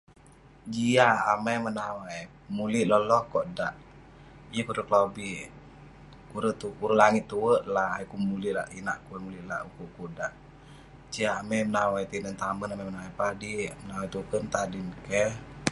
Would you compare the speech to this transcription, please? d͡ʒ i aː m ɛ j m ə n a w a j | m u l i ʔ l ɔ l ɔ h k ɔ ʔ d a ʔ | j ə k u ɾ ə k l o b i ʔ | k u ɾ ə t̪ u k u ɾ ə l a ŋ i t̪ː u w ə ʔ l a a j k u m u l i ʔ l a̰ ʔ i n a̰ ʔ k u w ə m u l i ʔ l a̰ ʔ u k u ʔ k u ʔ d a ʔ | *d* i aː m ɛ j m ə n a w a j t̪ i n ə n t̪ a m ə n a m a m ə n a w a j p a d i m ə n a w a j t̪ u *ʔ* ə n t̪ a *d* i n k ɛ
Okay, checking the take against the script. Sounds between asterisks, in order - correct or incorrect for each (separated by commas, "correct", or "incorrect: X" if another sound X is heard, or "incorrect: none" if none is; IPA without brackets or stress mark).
incorrect: d͡ʒ, incorrect: k, correct